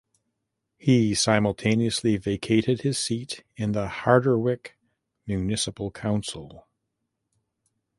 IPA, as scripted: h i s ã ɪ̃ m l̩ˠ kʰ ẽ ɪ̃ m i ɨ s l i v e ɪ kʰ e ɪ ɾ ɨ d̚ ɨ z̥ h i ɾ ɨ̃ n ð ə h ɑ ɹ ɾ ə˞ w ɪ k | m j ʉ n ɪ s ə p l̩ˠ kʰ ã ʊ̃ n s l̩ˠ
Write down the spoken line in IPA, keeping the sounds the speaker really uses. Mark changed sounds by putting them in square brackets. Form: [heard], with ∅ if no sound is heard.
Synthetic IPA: h i s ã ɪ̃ m l̩ˠ [tʰ] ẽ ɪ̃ [n] i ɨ s l i v e ɪ kʰ e ɪ ɾ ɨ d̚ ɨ z̥ [s] i ɾ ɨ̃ n ð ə h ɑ ɹ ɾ ə˞ w ɪ k | m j ʉ n ɪ s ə p l̩ˠ kʰ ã ʊ̃ n s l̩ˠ